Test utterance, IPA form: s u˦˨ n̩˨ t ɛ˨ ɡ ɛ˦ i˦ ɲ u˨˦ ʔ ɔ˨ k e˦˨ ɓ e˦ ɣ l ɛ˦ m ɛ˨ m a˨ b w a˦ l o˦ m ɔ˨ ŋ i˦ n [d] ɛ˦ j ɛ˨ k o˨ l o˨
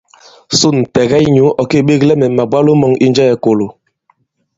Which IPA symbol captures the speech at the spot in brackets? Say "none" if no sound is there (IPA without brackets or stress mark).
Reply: d͡ʒ